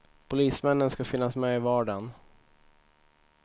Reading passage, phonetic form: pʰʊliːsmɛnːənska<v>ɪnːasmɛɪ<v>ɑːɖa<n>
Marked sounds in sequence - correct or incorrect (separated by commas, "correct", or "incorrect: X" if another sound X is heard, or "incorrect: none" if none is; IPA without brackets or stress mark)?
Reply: incorrect: f, correct, correct